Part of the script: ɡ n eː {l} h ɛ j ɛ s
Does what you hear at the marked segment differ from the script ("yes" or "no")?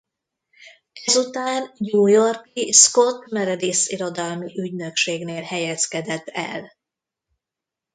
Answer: no